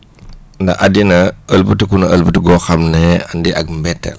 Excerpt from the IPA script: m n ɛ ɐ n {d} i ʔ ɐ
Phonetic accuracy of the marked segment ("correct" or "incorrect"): correct